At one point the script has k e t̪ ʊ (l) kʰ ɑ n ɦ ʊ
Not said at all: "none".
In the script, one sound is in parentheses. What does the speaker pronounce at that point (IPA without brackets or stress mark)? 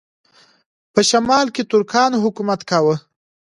ɾ